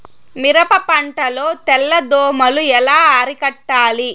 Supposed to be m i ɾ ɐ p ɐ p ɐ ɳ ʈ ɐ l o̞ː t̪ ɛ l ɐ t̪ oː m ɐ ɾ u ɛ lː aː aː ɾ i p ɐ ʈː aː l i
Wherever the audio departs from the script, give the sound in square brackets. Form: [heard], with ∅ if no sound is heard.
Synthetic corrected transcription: m i ɾ ɐ p ɐ p ɐ ɳ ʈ ɐ l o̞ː t̪ ɛ [lː] ɐ [d̪] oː m ɐ [l] u ɛ [l] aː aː ɾ i [k] ɐ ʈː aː l i